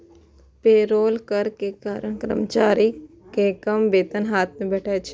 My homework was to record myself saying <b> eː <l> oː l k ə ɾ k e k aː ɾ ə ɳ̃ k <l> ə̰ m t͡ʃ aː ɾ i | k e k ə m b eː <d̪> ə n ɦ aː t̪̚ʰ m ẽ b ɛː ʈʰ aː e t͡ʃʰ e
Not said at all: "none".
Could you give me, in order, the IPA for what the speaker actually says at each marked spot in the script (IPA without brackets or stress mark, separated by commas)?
p, ɾ, ɾ, t̪